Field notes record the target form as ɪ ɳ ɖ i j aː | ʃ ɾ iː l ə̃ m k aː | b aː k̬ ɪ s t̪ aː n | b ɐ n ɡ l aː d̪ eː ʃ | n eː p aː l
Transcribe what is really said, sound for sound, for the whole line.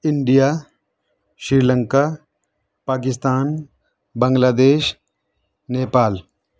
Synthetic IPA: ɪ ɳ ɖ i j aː | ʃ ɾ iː l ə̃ ŋ k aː | p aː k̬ ɪ s t̪ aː n | b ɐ ŋ ɡ l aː d̪ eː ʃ | n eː p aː l